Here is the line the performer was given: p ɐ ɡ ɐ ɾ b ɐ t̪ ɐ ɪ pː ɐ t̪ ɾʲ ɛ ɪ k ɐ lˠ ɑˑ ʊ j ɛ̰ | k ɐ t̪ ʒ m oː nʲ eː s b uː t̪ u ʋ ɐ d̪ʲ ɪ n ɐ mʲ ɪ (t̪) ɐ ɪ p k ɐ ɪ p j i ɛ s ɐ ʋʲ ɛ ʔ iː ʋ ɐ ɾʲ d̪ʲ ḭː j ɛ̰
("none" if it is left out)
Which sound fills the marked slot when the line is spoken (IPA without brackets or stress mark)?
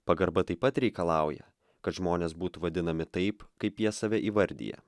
t̪